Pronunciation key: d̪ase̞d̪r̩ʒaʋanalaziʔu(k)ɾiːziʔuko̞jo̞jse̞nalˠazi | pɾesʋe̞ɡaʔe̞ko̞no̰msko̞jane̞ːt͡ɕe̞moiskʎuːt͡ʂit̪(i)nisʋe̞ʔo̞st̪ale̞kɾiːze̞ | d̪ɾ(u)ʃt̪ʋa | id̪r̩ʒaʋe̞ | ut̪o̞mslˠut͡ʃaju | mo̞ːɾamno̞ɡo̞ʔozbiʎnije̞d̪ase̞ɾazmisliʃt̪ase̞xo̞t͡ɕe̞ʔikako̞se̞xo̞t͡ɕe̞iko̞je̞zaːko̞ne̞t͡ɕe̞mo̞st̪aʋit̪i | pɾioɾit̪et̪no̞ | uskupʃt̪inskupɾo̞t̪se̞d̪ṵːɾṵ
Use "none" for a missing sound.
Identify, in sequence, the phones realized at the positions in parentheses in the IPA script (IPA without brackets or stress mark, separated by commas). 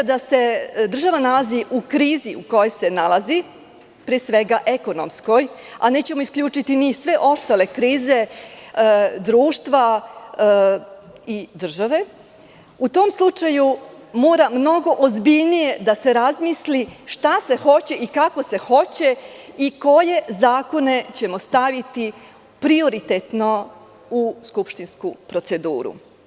k, i, uː